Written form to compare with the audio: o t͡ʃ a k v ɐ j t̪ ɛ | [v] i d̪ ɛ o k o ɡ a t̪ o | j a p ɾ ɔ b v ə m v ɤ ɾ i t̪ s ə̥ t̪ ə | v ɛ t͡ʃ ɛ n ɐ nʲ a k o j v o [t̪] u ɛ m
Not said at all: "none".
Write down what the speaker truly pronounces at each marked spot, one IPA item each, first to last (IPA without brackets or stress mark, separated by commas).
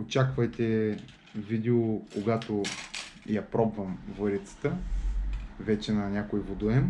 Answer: v, d̪